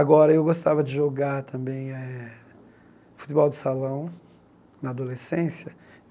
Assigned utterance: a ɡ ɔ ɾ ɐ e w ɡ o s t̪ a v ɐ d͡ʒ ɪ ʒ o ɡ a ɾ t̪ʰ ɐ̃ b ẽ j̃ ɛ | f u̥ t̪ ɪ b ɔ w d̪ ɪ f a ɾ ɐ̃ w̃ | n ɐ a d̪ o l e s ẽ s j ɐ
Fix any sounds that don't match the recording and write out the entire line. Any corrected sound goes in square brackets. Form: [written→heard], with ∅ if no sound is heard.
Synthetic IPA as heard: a ɡ ɔ ɾ ɐ e w ɡ o s t̪ a v ɐ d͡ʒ ɪ ʒ o ɡ a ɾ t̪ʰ ɐ̃ b ẽ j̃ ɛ | f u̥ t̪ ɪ b ɔ w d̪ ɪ [f→s] a [ɾ→l] ɐ̃ w̃ | n ɐ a d̪ o l e s ẽ s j ɐ